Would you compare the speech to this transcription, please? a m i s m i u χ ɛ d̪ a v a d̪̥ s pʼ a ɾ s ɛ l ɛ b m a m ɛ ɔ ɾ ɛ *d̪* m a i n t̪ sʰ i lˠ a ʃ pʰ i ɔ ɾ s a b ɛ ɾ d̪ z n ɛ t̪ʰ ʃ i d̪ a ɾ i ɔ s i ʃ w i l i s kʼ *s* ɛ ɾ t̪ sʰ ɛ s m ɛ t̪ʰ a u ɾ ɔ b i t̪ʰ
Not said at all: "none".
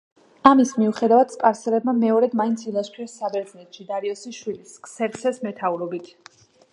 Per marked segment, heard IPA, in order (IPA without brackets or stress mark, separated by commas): d̪, s